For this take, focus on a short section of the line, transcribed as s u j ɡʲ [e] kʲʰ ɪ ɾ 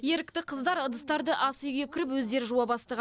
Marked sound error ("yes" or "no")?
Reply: no